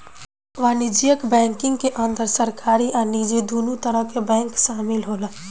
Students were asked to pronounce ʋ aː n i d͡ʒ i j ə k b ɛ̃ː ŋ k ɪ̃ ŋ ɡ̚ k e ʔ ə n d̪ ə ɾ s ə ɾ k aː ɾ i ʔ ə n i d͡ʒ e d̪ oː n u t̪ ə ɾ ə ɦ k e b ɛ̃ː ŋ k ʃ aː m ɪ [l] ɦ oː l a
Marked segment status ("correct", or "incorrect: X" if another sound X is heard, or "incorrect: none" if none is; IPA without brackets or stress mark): correct